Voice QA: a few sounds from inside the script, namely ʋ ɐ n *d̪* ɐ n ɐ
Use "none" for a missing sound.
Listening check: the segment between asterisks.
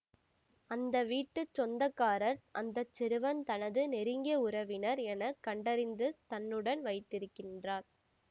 t̪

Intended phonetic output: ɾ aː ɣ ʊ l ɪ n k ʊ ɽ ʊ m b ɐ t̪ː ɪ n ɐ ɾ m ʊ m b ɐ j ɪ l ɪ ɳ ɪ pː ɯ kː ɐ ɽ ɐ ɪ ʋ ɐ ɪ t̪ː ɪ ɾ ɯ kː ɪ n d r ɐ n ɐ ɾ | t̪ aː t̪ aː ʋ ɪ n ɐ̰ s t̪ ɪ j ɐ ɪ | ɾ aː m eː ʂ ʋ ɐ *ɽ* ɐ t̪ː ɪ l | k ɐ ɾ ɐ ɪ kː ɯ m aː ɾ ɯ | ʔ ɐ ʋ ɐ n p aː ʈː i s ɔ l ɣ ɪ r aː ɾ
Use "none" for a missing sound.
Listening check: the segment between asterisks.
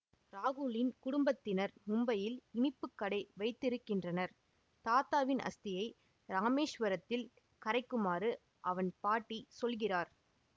ɾ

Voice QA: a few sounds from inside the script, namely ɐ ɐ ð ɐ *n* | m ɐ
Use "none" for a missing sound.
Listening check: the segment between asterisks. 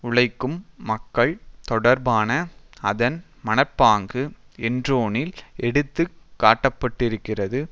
n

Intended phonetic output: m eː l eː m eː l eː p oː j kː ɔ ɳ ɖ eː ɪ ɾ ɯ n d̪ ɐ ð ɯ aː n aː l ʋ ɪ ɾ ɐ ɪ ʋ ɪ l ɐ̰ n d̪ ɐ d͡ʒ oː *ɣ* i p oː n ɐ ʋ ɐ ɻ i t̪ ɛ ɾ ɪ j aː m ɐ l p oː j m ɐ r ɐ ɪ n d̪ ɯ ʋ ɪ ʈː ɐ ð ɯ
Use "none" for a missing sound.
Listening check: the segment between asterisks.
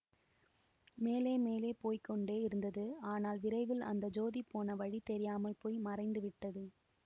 ð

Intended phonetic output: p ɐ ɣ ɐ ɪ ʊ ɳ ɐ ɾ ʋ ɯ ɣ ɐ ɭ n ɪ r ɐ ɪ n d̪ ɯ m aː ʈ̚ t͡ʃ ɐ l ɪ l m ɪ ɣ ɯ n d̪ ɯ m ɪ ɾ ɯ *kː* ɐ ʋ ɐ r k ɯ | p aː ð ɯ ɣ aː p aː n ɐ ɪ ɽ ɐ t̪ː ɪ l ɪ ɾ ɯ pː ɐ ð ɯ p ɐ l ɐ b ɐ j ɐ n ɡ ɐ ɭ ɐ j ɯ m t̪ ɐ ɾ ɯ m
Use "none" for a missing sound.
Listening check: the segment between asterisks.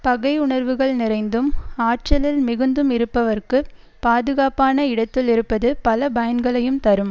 pː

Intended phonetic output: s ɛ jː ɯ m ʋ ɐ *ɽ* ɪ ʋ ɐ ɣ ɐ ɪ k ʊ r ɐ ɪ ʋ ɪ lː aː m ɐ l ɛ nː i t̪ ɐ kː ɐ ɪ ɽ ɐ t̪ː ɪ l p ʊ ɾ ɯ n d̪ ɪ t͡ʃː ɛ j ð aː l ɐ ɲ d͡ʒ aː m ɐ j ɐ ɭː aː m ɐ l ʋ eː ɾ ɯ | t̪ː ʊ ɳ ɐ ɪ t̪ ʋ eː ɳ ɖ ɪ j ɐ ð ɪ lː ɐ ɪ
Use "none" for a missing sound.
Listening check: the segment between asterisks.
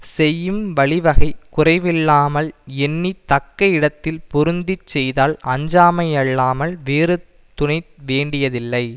ɭ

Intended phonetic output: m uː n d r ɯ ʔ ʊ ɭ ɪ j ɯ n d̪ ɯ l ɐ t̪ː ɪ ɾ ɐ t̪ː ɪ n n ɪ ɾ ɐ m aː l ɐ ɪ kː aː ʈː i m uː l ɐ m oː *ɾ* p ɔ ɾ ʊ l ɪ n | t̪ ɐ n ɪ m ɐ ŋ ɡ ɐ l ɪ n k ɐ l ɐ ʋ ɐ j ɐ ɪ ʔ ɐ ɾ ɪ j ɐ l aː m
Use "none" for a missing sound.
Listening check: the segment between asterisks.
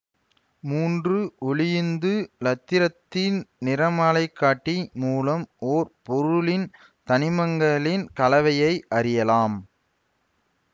ɾ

